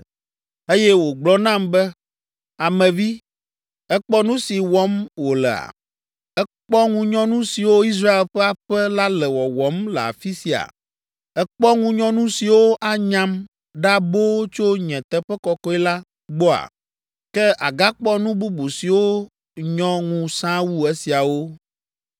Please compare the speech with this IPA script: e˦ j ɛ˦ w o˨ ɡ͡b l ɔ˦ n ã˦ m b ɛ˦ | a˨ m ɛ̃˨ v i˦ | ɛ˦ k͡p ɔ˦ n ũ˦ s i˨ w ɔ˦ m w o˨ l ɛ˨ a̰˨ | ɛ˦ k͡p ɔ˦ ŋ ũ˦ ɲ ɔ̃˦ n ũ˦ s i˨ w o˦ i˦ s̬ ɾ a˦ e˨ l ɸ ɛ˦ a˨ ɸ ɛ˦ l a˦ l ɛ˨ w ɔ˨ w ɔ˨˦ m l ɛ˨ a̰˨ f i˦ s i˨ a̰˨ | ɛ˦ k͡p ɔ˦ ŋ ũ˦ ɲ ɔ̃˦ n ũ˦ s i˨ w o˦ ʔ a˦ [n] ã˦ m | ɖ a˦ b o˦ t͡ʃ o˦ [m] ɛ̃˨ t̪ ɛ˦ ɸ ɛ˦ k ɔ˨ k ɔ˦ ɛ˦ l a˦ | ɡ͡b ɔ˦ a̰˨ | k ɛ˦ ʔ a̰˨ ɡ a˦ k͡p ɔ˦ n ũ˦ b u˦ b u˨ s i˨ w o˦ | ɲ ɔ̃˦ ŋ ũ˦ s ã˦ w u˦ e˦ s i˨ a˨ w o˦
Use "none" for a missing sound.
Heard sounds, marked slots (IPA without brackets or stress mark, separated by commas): ɲ, ɲ